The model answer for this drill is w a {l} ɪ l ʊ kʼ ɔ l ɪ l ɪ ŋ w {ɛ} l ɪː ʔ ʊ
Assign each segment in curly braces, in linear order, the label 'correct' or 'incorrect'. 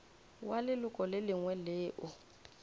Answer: correct, correct

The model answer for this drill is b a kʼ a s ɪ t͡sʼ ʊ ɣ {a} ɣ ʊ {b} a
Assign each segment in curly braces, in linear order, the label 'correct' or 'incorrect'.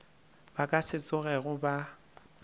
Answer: incorrect: ɛ, correct

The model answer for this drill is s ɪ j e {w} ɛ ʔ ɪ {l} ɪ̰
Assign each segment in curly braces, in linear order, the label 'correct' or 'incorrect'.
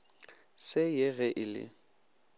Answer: incorrect: ɣ, correct

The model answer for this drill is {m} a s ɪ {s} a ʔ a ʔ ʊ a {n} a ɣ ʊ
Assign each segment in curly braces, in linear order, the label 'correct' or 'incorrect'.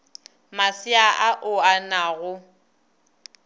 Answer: correct, incorrect: none, correct

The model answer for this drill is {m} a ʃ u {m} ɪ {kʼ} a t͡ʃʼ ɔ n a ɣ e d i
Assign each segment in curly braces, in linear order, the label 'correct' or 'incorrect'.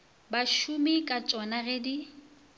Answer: incorrect: b, correct, correct

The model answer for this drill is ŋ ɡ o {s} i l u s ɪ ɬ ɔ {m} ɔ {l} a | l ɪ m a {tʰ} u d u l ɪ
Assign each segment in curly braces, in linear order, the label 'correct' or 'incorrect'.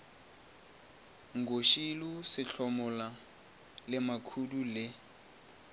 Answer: incorrect: ʃ, correct, correct, incorrect: kʰ

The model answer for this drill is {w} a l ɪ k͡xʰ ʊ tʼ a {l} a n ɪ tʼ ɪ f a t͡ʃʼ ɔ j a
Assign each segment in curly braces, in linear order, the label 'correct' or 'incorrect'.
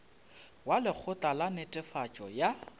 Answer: correct, correct

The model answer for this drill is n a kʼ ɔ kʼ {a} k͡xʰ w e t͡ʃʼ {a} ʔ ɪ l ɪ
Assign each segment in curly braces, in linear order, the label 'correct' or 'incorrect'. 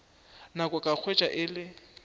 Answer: correct, correct

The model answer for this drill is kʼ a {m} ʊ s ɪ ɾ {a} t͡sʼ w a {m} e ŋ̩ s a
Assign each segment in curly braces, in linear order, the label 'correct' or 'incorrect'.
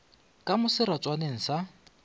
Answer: correct, correct, incorrect: n

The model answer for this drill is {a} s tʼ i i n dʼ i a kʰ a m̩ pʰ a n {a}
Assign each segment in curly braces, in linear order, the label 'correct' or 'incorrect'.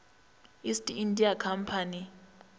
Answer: incorrect: i, incorrect: i

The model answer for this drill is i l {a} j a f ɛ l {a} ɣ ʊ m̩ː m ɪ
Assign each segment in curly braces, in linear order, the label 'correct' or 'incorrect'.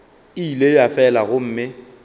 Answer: incorrect: e, correct

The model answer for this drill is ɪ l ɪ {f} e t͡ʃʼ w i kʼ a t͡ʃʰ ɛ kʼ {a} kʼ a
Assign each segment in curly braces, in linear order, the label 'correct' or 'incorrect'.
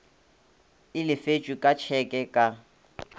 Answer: correct, incorrect: ɛ

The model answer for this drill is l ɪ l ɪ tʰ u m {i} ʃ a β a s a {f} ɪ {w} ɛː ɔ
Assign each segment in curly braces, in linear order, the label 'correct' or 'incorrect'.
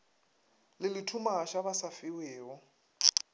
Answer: incorrect: a, correct, correct

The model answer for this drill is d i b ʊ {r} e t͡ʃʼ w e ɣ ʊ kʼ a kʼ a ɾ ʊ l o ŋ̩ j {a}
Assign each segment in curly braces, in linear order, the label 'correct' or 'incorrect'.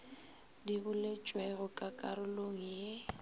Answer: incorrect: l, incorrect: e

